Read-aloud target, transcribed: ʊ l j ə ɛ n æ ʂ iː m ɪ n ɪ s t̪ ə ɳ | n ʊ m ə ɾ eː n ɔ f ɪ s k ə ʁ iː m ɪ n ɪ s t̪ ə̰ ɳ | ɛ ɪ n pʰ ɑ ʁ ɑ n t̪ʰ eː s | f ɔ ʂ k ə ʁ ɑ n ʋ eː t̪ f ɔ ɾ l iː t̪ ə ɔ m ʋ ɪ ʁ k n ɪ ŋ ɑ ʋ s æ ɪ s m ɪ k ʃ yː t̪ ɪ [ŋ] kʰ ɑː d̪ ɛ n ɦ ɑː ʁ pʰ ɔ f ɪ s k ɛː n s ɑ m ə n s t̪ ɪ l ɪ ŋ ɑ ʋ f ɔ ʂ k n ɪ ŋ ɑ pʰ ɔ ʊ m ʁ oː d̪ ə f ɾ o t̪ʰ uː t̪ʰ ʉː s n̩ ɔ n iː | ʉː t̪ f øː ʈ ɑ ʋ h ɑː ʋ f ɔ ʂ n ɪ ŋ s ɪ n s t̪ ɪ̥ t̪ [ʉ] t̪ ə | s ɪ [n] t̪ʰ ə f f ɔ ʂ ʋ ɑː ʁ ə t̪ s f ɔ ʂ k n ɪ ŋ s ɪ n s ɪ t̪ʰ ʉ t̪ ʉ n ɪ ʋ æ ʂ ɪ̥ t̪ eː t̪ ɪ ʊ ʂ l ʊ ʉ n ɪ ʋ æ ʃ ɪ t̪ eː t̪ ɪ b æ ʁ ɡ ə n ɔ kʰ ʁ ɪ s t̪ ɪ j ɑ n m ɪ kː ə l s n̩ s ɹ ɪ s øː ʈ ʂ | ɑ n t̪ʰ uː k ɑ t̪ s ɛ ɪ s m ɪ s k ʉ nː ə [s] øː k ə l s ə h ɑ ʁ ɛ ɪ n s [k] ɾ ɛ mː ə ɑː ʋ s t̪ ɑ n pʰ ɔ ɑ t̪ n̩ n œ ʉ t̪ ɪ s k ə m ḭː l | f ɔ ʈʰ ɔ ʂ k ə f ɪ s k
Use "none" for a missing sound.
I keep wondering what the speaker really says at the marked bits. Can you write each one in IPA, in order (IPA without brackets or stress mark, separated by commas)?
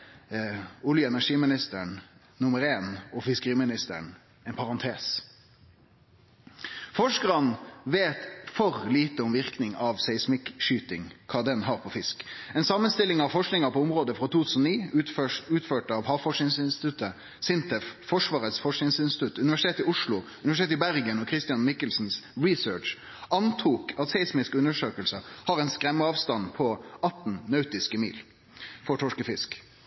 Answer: ŋ, ʉ, n, ʂ, k